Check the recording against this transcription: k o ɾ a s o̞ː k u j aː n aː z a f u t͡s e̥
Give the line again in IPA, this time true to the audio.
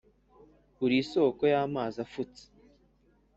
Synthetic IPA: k u ɾ i s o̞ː k o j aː m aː z a f u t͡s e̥